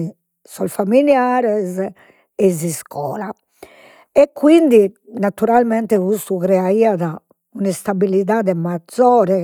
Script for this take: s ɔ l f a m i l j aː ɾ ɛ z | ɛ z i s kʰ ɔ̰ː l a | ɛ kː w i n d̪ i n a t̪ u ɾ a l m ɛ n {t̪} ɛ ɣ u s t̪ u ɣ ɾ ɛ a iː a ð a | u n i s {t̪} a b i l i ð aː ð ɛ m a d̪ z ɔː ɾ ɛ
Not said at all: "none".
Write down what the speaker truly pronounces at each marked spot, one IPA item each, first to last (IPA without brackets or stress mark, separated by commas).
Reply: t̪, t̪